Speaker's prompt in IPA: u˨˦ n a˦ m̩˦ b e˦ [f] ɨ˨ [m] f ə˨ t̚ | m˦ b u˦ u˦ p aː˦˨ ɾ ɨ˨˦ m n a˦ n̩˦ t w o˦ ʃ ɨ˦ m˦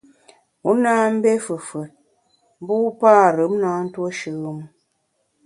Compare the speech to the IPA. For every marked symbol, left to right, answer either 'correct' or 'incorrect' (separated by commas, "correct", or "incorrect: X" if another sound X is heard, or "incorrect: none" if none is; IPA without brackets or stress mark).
correct, incorrect: none